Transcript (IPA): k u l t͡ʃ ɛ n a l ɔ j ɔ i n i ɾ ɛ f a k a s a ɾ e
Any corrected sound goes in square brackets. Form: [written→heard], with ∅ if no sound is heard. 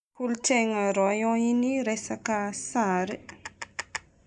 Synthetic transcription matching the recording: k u l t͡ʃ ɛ [n→ŋ] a [l→ɾ] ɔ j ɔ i n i ɾ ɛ [f→s] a k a s a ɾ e